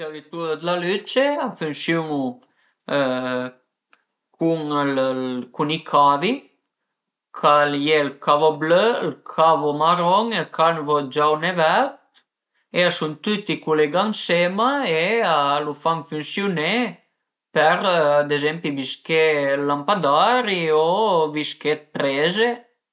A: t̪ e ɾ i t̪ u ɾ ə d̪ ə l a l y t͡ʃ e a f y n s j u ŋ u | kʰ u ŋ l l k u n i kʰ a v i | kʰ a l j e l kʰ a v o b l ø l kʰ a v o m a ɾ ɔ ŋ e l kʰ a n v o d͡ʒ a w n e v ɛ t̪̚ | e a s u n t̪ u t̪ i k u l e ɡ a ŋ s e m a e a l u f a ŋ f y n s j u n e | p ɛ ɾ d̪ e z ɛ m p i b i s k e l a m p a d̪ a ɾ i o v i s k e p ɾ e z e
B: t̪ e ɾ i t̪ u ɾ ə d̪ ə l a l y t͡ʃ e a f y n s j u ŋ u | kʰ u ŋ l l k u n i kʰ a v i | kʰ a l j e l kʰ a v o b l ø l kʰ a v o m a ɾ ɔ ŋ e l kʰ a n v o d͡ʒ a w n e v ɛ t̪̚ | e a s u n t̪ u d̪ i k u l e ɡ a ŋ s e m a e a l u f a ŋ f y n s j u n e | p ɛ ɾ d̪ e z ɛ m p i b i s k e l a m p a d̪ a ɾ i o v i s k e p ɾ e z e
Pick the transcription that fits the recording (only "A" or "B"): A